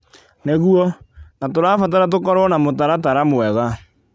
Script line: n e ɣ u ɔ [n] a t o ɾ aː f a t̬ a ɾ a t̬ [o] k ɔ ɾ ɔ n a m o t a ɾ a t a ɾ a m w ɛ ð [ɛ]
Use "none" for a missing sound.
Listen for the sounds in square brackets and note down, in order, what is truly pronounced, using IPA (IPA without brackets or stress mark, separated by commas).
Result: n, o, a